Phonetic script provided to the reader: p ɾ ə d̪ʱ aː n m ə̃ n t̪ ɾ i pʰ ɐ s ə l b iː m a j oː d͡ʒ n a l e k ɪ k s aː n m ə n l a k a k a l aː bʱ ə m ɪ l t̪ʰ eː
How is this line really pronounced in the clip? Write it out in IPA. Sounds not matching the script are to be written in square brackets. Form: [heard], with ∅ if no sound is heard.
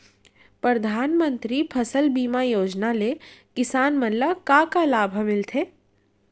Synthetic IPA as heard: p ɾ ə d̪ʱ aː n m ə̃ n t̪ ɾ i pʰ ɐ s ə l b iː m a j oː d͡ʒ n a l e k ɪ [∅] s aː n m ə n l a k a k a l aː bʱ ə m ɪ l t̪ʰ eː